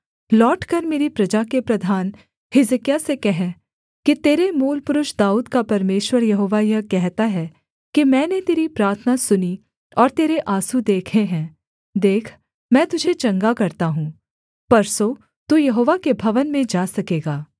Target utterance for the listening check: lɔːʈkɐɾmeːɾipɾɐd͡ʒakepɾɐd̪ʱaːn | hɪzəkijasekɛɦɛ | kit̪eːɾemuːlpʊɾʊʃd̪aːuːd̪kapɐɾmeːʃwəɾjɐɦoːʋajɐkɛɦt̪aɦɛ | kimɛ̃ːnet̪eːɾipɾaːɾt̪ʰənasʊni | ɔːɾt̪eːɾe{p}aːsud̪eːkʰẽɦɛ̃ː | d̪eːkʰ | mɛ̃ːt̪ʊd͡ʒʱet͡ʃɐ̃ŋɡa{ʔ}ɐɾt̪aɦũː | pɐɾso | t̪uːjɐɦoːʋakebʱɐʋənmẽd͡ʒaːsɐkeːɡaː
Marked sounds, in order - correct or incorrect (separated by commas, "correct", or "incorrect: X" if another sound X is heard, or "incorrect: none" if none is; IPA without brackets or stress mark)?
incorrect: ʔ, incorrect: k